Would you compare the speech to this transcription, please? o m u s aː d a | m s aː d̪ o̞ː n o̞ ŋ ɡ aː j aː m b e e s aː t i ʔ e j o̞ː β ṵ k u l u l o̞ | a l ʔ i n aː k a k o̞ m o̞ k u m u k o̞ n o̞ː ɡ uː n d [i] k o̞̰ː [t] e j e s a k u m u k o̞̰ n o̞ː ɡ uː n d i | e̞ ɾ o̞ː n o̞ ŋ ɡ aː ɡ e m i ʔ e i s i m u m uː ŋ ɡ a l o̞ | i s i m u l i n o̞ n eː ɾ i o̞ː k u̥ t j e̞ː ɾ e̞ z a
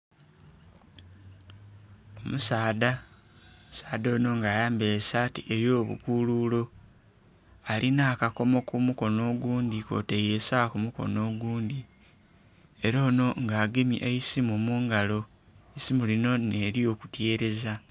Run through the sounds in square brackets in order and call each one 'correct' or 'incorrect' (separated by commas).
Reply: correct, correct